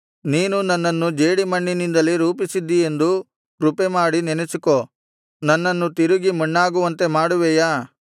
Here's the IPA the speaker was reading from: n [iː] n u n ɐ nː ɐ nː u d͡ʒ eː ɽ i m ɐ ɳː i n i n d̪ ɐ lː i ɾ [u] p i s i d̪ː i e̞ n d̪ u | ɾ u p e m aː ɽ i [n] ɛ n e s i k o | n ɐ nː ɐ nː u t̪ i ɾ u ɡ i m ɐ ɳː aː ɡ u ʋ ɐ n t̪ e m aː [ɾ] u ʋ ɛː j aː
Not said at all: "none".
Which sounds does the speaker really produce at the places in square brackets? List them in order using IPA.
iː, uː, n, ɽ

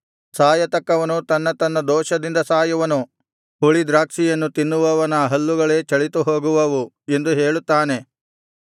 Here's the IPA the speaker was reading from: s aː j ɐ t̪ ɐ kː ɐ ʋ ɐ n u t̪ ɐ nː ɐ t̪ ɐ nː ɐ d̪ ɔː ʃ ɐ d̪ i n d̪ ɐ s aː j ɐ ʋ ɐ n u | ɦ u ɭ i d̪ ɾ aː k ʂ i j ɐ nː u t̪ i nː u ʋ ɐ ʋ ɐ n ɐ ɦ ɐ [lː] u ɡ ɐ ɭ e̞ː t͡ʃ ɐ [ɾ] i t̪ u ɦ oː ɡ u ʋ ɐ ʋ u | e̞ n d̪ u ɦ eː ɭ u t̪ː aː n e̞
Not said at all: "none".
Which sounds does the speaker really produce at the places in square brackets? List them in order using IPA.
lː, ɭ

